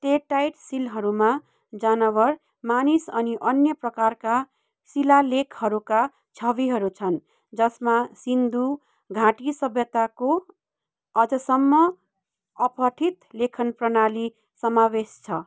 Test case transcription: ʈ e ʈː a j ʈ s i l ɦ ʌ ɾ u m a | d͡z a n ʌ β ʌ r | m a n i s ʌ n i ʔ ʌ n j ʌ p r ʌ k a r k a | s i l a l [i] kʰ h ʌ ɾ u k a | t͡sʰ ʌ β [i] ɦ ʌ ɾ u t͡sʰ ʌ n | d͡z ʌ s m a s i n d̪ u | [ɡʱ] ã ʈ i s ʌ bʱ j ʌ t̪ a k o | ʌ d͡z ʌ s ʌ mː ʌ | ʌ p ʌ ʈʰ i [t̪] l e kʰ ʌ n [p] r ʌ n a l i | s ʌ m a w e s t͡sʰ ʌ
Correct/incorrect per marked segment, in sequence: incorrect: e, correct, correct, correct, correct

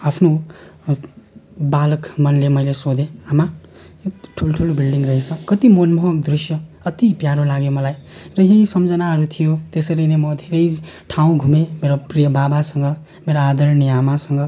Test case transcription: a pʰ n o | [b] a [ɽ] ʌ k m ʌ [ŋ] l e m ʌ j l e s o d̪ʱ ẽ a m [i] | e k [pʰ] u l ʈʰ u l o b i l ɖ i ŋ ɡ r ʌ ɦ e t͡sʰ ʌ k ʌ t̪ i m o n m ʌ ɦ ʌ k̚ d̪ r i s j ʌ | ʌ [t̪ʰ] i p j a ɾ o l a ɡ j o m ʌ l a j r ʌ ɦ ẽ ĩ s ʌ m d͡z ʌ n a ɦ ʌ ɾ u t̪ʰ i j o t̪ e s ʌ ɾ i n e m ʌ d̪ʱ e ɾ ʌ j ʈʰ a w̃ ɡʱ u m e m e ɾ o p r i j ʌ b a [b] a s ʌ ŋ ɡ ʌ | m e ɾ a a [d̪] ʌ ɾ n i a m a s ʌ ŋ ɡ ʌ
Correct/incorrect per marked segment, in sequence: correct, incorrect: l, incorrect: n, incorrect: a, incorrect: ʈʰ, incorrect: t̪, correct, correct

